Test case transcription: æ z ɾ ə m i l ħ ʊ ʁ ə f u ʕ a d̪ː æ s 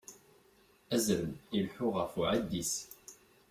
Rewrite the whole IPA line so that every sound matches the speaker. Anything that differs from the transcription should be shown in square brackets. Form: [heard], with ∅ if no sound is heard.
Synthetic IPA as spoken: æ z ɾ ə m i l ħ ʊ ʁ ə f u ʕ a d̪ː [i] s